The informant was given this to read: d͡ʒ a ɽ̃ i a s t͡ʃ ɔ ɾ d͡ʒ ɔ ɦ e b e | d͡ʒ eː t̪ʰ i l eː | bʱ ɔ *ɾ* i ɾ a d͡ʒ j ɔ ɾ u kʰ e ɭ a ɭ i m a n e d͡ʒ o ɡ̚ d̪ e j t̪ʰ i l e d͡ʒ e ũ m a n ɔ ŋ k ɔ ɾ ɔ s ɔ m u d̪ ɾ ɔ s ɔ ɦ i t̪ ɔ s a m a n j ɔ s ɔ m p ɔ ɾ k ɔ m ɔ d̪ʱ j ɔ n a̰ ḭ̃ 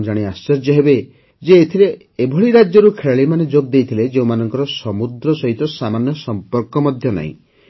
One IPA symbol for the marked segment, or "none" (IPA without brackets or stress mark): ɭ